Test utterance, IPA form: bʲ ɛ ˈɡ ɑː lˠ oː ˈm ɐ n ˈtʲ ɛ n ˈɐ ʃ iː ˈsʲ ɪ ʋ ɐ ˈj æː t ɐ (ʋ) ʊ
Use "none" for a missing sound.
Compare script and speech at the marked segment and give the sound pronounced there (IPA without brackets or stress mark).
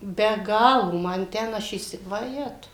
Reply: none